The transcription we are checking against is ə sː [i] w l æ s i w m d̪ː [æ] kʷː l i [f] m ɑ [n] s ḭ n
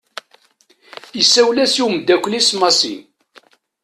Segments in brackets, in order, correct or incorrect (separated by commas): incorrect, correct, incorrect, incorrect